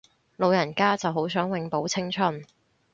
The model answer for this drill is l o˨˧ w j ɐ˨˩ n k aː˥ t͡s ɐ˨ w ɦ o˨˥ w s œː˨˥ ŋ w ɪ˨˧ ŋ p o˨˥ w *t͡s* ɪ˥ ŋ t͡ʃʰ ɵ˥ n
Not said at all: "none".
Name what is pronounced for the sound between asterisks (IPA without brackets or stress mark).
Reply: t͡sʰ